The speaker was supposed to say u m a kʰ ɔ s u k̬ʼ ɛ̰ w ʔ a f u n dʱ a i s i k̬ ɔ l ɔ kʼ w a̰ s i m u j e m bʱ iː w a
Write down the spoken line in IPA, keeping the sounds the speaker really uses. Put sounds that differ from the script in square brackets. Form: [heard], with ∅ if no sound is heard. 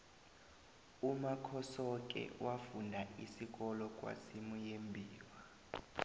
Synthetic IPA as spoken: u m a kʰ ɔ s [ɔ] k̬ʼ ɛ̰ w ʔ a f u n dʱ a i s i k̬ ɔ l ɔ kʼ w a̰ s i m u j e m bʱ iː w a